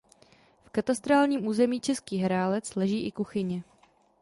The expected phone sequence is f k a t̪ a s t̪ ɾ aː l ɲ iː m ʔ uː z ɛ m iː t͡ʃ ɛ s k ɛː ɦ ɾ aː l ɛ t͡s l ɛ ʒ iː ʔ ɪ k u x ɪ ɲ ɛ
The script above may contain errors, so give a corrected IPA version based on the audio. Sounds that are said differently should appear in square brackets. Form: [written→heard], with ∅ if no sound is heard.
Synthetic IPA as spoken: f k a t̪ a s t̪ ɾ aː l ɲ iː m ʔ uː z ɛ m iː t͡ʃ ɛ s k [ɛː→iː] ɦ ɾ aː l ɛ t͡s l ɛ ʒ iː ʔ ɪ k u x ɪ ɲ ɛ